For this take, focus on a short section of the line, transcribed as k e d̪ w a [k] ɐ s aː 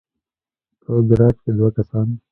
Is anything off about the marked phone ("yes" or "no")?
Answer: no